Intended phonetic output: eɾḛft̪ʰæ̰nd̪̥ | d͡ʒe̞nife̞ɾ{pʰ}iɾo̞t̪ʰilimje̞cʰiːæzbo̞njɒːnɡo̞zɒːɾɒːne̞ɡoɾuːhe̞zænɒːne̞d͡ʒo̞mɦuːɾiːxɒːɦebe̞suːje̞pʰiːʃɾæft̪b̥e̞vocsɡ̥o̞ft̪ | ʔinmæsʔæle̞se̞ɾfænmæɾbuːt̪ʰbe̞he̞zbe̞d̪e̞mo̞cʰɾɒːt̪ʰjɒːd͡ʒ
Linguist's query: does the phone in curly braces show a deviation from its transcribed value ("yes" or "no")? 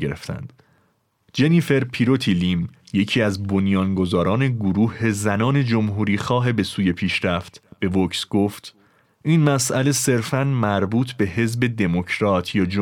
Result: no